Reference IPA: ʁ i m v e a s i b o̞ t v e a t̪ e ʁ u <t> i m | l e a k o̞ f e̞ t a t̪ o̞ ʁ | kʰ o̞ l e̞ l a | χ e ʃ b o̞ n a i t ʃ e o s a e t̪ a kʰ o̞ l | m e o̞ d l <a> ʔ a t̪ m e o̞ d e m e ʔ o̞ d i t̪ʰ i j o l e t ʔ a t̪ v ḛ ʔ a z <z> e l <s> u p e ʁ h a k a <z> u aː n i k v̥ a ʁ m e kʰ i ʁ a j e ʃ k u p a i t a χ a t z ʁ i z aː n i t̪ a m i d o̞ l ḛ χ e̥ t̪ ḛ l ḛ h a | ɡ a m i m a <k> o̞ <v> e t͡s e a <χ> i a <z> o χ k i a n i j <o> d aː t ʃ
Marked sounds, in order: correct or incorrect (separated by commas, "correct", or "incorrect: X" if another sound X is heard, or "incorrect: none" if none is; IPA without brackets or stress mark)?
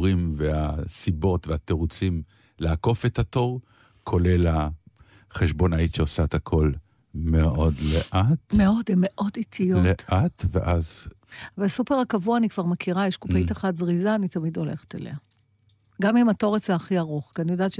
incorrect: t͡s, incorrect: e, incorrect: v, correct, incorrect: v, incorrect: t, incorrect: ʁ, correct, incorrect: ʁ, correct